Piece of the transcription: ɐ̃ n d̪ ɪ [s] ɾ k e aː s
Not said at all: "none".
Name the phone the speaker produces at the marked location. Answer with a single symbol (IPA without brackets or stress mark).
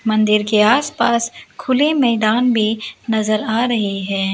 none